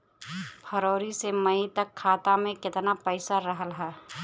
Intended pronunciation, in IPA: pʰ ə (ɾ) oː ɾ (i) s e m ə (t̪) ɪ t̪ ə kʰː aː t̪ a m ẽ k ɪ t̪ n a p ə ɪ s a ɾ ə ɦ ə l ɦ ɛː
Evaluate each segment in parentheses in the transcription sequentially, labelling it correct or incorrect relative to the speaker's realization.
correct, correct, incorrect

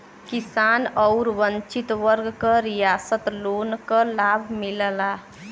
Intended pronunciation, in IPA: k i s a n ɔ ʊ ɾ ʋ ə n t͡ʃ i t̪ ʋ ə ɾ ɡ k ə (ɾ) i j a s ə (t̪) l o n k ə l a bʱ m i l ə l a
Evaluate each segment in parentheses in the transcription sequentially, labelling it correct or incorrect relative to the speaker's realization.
correct, correct

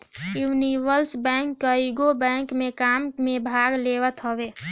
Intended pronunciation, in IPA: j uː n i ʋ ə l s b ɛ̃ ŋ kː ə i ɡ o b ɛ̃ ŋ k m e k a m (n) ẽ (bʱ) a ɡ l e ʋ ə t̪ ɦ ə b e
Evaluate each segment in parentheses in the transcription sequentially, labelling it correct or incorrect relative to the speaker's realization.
incorrect, correct

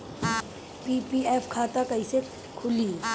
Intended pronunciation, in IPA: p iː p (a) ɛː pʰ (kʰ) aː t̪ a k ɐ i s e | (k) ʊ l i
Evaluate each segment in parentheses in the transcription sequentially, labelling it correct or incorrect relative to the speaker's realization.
incorrect, correct, incorrect

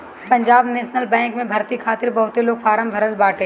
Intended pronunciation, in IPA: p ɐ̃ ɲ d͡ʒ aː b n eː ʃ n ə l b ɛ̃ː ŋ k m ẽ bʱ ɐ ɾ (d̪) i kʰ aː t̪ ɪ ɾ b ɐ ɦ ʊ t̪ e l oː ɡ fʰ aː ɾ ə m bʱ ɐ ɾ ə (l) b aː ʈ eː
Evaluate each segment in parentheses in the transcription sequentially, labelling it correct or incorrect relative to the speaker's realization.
incorrect, correct

